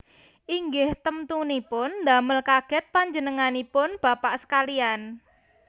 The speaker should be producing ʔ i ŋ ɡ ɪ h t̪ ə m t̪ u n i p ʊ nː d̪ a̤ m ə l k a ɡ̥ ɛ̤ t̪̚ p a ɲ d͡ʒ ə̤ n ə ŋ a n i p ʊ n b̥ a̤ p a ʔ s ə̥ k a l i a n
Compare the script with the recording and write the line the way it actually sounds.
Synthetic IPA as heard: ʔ i ŋ ɡ ɪ h t̪ ə m t̪ u n i p ʊ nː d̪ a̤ m ə l k a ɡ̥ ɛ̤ t̪̚ p a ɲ d͡ʒ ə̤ n ə ŋ a n i p ʊ n b̥ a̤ p a ʔ s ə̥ k a l i a n